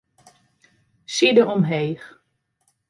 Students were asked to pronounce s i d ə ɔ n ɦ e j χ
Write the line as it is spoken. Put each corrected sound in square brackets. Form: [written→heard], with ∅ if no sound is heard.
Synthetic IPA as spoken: s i d ə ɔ [n→m] ɦ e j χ